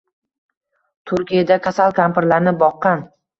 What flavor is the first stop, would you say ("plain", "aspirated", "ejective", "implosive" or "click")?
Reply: aspirated